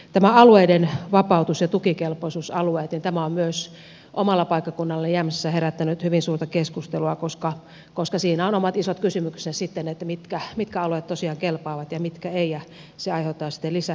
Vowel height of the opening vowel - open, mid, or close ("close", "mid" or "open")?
open